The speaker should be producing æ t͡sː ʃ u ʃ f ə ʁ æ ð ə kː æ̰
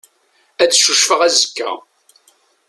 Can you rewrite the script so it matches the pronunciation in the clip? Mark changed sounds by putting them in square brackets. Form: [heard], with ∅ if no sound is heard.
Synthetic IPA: æ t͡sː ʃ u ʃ f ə ʁ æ [z] ə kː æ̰